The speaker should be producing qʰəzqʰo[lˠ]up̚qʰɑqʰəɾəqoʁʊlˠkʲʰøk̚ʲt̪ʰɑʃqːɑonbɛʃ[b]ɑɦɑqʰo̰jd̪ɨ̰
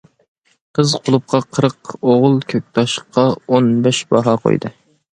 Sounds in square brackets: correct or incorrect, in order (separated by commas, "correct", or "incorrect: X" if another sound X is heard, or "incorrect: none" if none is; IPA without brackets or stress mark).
correct, correct